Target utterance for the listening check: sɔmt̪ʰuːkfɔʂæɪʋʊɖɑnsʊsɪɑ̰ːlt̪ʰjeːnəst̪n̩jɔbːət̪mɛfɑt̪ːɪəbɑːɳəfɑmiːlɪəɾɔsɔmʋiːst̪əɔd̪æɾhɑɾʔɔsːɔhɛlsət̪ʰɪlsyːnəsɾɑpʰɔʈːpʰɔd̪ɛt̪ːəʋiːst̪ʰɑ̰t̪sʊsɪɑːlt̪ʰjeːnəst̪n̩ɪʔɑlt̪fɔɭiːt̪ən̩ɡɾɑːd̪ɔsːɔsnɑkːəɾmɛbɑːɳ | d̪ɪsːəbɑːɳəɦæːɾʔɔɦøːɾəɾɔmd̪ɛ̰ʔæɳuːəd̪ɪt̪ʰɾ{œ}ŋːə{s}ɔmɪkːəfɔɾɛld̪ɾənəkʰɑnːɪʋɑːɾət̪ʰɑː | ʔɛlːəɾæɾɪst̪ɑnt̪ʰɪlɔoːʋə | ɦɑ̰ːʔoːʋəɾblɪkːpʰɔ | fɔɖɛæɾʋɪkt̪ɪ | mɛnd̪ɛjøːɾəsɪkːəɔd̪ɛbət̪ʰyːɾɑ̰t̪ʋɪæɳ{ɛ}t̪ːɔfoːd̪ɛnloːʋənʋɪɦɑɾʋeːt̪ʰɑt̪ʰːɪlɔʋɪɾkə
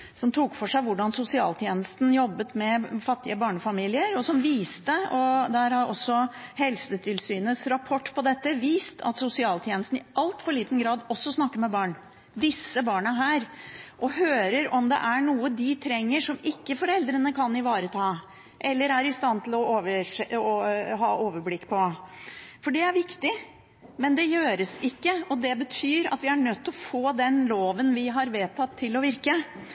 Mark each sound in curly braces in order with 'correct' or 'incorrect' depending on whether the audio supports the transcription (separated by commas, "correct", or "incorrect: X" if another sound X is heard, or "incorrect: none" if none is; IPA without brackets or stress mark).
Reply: incorrect: ɛ, incorrect: ʂ, incorrect: œ